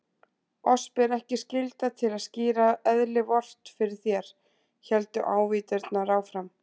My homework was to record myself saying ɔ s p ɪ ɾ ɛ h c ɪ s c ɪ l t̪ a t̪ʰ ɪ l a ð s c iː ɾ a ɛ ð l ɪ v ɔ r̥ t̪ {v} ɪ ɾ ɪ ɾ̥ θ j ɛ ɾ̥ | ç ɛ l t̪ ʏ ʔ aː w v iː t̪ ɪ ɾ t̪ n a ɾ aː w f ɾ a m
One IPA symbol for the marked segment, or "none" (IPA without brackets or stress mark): f